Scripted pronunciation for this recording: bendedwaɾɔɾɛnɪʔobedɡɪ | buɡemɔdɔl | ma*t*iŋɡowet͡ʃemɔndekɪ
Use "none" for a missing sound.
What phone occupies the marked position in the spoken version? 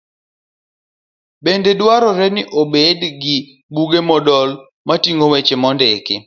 t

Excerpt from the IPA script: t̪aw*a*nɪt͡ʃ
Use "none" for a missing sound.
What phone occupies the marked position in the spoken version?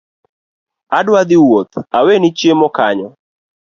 e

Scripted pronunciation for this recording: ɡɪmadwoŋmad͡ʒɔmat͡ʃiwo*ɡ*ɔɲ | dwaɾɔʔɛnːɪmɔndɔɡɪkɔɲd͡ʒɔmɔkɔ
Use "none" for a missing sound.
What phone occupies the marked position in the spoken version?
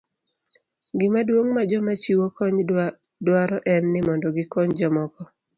k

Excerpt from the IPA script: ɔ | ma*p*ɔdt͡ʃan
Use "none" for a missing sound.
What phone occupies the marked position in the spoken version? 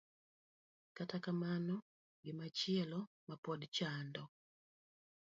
p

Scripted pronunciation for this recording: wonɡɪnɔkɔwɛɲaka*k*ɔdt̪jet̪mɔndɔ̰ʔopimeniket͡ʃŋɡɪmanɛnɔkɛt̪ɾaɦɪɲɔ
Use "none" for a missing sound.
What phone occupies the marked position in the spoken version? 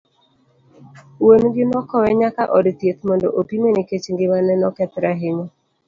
ʔ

